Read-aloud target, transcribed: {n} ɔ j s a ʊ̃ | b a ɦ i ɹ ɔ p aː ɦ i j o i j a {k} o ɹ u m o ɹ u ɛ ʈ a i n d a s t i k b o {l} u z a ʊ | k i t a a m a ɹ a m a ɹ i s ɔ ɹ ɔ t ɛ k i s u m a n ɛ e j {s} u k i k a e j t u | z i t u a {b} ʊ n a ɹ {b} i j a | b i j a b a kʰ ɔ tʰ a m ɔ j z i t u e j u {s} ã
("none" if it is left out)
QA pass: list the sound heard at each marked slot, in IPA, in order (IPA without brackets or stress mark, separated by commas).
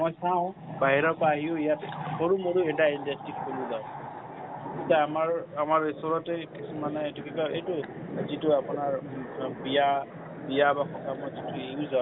m, t, l, t, p, b, z